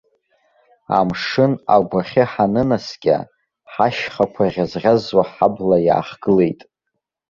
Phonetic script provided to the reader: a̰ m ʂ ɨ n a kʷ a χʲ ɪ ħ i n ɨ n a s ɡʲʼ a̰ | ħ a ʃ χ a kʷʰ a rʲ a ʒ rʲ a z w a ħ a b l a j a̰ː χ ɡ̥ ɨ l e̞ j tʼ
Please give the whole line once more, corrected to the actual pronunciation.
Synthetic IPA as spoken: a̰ m ʂ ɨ n a ɡʷ a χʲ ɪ ħ a n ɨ n a s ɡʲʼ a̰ | ħ a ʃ χ a kʷʰ a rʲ a z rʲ a z w a ħ a b l a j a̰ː χ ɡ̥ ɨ l e̞ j tʼ